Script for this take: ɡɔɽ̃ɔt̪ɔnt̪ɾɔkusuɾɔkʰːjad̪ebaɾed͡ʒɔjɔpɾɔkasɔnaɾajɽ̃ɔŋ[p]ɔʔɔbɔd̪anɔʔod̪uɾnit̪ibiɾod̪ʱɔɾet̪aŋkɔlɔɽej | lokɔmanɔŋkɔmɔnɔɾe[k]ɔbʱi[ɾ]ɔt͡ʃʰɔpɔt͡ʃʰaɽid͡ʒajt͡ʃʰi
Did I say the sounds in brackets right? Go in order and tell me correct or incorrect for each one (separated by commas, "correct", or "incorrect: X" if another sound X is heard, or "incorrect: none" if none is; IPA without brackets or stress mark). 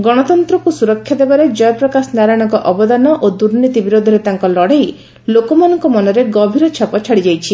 incorrect: k, incorrect: ɡ, correct